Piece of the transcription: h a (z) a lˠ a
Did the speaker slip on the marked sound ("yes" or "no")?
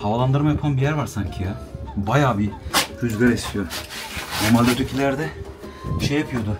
yes